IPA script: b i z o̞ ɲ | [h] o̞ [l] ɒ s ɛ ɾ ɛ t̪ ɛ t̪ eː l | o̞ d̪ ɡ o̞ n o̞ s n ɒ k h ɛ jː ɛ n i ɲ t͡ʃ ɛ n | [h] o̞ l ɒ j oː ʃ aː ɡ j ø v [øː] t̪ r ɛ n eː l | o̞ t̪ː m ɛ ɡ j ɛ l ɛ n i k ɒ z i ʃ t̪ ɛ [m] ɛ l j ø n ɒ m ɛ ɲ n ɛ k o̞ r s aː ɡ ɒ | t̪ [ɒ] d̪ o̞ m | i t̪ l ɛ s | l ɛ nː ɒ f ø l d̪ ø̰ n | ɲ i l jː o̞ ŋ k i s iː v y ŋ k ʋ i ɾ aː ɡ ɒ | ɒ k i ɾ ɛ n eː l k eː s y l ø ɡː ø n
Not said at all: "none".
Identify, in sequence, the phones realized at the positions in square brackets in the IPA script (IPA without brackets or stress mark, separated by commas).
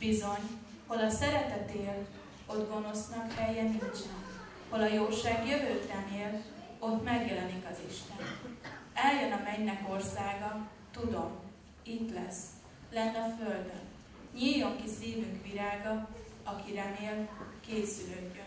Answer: h, l, h, øː, n, u